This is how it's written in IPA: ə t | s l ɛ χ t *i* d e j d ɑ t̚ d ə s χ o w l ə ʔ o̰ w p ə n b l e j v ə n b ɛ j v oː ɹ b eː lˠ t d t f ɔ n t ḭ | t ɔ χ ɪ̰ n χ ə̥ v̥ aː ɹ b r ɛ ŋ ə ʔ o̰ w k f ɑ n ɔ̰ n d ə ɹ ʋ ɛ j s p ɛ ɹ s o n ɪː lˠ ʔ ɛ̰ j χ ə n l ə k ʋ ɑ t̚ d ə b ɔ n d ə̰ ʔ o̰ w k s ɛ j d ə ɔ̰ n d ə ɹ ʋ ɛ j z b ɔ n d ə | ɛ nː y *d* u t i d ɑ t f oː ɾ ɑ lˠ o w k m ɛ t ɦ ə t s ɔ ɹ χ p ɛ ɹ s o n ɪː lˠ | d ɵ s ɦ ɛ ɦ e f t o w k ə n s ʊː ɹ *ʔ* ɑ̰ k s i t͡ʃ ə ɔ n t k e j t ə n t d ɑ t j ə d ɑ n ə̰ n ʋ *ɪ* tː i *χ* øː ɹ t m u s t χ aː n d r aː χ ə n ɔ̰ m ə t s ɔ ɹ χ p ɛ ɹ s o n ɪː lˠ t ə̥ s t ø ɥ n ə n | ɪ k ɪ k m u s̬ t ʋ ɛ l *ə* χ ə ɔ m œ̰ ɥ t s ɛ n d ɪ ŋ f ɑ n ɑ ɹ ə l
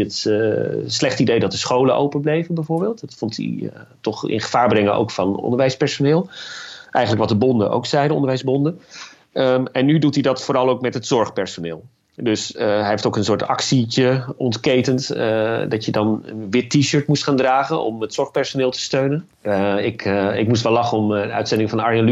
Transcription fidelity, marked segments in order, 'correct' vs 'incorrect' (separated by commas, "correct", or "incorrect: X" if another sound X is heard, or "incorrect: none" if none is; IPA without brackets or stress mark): correct, correct, incorrect: t, correct, incorrect: ʃ, incorrect: ɑ